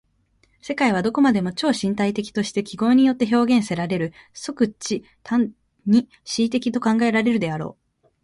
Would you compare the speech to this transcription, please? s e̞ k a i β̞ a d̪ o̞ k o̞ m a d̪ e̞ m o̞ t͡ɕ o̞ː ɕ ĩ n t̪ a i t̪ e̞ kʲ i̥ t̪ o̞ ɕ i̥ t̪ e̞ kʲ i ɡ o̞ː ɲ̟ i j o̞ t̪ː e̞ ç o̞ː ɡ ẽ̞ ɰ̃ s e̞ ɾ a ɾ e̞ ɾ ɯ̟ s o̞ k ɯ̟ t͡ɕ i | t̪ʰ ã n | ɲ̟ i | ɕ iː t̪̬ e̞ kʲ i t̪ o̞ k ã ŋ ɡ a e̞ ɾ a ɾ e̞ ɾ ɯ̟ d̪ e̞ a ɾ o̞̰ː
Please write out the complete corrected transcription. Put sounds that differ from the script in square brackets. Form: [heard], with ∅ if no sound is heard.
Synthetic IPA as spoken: s e̞ k a i β̞ a d̪ o̞ k o̞ m a d̪ e̞ m o̞ t͡ɕ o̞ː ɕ ĩ n t̪ a i t̪ e̞ kʲ i̥ t̪ o̞ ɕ i̥ t̪ e̞ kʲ i ɡ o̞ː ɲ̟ i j o̞ t̪ː e̞ ç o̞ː ɡ ẽ̞ ɰ̃ s e̞ ɾ a ɾ e̞ ɾ ɯ̟ s o̞ k ɯ̟ t͡ɕ i | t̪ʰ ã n | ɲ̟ i | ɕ iː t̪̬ e̞ kʲ i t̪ o̞ k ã ŋ ɡ a e̞ ɾ a ɾ e̞ ɾ ɯ̟ d̪ e̞ a ɾ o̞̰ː